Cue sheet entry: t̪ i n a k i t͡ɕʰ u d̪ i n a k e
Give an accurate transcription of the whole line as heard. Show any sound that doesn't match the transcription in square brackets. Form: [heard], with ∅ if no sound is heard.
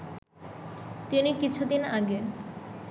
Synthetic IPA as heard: t̪ i n [i] k i t͡ɕʰ u d̪ i n a [ɡ] e